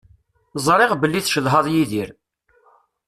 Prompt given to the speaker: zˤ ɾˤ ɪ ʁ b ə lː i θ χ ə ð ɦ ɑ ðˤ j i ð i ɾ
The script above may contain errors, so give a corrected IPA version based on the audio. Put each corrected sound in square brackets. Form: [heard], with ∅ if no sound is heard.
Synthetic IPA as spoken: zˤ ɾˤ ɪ ʁ b ə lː i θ [ʃ] ə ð ɦ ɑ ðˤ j i ð i ɾ